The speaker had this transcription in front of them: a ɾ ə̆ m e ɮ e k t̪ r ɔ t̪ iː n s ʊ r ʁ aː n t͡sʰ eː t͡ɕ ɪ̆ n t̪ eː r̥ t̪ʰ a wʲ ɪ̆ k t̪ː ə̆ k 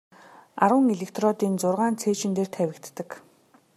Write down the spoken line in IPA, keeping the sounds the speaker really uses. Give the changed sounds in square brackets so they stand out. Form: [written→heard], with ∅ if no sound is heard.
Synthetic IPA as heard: a ɾ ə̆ [m→ŋ] e ɮ e k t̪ r ɔ t̪ iː n [s→t͡s] ʊ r ʁ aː n t͡sʰ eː t͡ɕ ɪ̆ n t̪ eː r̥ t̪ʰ [a→æ] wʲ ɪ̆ k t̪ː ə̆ k